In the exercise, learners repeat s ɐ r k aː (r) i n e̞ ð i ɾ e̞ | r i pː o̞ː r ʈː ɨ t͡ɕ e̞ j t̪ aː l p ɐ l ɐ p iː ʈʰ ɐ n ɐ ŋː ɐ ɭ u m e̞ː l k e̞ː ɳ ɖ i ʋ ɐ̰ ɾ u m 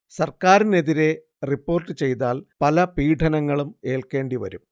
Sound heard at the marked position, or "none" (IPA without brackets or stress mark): ɾ